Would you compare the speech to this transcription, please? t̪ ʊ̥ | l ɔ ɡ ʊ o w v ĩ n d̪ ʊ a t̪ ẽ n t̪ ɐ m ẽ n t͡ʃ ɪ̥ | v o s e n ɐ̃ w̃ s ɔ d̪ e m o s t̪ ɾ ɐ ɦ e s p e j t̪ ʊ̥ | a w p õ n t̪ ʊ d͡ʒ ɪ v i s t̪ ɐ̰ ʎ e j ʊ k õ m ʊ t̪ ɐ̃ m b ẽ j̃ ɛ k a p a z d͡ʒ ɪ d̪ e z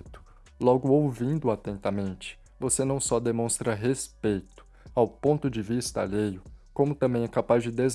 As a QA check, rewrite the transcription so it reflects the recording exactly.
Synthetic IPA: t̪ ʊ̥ | l ɔ ɡ ʊ o w v ĩ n d̪ ʊ a t̪ ẽ n t̪ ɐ m ẽ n t͡ʃ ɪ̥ | v o s e n ɐ̃ w̃ s ɔ d̪ e m õ s t̪ ɾ ɐ ɦ e s p e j t̪ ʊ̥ | a w p õ n t̪ ʊ d͡ʒ ɪ v i s t̪ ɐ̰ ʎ e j ʊ k õ m ʊ t̪ ɐ̃ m b ẽ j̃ ɛ k a p a z d͡ʒ ɪ d̪ e z